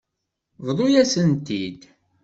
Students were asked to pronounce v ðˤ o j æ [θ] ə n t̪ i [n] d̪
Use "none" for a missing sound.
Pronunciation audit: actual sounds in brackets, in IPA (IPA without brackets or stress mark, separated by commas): s, none